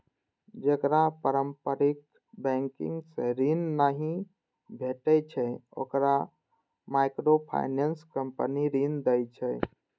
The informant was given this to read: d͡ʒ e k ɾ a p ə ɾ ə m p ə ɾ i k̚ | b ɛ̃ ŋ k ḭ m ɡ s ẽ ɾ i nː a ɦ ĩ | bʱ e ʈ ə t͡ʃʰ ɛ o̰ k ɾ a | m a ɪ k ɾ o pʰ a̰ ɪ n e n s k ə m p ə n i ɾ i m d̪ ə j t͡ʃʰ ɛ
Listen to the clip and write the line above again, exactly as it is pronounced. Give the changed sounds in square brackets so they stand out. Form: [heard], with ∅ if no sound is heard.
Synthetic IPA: d͡ʒ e k ɾ a p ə ɾ ə m p ə ɾ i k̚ | b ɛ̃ ŋ k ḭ [ŋ] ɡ s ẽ ɾ i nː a ɦ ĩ | bʱ e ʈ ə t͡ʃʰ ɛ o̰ k ɾ a | m a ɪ k ɾ o pʰ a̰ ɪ n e n s k ə m p ə n i ɾ i [n] d̪ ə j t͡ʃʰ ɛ